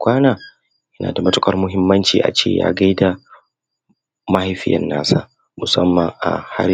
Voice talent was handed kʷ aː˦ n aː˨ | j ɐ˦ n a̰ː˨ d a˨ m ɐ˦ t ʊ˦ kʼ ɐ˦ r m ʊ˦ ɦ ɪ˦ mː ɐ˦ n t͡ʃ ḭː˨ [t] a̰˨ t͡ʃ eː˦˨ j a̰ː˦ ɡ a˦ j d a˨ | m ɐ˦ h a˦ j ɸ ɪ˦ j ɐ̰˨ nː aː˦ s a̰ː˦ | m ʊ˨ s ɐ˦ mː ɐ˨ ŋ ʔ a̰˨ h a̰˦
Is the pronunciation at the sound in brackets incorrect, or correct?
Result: incorrect